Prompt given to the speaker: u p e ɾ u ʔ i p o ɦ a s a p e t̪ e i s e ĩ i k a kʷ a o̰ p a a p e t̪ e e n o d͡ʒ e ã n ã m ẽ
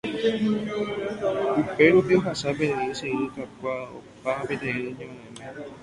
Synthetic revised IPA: u p e ɾ u p i o ɦ a s a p e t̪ e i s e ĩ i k a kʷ a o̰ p a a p e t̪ e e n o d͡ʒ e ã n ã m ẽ